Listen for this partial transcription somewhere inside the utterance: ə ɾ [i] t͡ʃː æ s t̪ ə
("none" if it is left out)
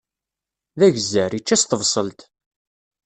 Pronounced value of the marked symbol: i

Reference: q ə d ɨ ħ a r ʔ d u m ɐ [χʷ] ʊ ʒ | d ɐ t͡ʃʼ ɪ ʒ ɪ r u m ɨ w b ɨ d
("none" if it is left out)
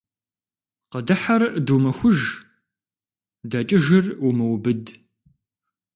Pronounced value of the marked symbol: xʷ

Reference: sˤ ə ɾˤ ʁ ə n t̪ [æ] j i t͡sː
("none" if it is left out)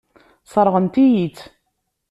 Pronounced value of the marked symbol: i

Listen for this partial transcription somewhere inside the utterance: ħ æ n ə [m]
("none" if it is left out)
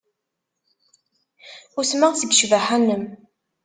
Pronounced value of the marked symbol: m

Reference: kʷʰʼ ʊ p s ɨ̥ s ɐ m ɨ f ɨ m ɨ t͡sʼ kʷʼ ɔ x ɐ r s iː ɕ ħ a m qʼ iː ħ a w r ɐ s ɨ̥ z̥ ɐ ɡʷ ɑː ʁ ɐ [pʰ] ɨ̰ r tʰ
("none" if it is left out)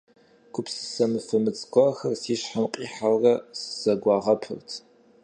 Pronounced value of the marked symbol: pʰ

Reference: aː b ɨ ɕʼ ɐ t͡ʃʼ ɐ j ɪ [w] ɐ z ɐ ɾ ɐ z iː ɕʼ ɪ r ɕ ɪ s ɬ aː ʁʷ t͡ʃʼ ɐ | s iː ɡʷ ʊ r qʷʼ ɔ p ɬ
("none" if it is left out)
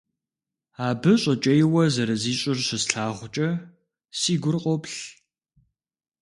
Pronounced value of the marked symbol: w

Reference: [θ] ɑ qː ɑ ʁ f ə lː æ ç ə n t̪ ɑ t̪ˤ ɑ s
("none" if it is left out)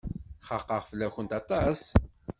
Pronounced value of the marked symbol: χ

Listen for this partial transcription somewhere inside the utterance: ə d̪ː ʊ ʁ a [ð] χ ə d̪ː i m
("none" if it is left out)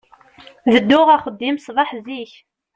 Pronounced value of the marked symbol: none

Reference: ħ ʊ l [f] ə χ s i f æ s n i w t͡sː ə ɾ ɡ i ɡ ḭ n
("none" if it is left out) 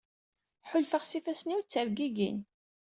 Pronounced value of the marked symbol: f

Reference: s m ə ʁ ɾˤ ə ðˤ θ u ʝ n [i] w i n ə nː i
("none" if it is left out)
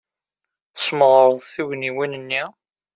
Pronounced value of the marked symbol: i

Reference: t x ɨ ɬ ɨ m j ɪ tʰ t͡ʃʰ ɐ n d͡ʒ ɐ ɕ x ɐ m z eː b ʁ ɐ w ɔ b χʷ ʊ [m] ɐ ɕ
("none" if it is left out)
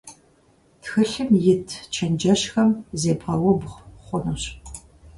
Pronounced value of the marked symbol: n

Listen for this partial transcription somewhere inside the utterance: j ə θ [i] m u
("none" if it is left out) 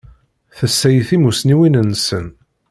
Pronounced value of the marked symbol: i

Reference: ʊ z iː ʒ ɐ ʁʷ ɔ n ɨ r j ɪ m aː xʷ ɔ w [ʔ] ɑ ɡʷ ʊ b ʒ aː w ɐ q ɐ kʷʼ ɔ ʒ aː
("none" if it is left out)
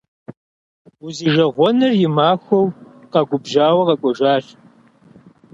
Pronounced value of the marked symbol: q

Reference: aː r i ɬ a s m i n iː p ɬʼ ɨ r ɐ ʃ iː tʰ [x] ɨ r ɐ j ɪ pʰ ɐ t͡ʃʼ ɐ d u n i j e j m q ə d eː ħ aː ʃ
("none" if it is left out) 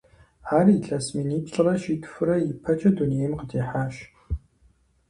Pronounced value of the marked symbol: f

